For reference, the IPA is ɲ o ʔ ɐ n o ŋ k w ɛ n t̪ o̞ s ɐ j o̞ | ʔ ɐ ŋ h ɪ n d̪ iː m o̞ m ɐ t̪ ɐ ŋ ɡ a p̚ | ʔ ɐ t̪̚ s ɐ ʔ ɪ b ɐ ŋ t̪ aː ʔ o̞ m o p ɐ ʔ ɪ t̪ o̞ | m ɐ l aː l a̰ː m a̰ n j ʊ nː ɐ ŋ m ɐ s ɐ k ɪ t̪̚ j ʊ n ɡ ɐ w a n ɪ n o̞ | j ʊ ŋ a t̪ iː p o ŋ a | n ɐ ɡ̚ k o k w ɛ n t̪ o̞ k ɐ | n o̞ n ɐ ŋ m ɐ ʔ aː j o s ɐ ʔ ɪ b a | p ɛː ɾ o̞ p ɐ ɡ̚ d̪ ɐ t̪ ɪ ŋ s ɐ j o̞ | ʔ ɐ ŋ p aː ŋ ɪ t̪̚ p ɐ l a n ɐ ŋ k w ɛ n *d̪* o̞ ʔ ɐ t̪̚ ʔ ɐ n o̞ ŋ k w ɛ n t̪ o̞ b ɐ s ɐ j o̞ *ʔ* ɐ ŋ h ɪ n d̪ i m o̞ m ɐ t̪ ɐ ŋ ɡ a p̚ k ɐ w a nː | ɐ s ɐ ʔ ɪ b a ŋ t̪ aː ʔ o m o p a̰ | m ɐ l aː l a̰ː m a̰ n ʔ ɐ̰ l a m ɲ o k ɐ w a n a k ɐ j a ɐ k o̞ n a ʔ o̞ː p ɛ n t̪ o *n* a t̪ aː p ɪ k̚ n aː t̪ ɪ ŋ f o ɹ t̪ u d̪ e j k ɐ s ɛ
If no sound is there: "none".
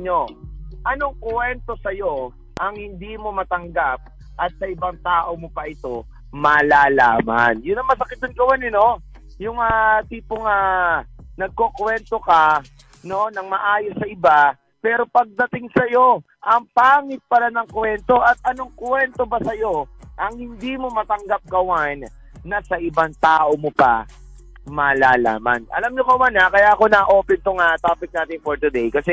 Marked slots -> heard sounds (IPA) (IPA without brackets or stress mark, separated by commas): t̪, ʔ, ŋ